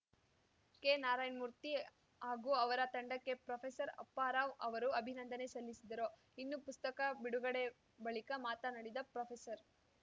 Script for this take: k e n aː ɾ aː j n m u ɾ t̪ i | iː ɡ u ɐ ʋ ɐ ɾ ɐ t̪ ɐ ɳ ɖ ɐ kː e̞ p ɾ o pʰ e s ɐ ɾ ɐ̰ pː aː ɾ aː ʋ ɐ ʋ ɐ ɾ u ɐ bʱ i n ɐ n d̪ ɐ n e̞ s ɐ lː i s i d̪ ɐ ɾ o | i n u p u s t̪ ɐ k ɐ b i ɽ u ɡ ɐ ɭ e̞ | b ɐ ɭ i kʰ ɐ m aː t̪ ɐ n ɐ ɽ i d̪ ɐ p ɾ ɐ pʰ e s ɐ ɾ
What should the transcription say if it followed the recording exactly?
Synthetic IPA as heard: k e n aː ɾ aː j n m u ɾ t̪ i | aː ɡ u ɐ ʋ ɐ ɾ ɐ t̪ ɐ ɳ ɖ ɐ kː e̞ p ɾ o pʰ e s ɐ ɾ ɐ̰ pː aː ɾ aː ʋ ɐ ʋ ɐ ɾ u ɐ bʱ i n ɐ n d̪ ɐ n e̞ s ɐ lː i s i d̪ ɐ ɾ o | i nː u p u s t̪ ɐ k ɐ b i ɽ u ɡ ɐ ɽ e̞ | b ɐ ɭ i k ɐ m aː t̪ ɐ n ɐ ɽ i d̪ ɐ p ɾ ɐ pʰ e s ɐ ɾ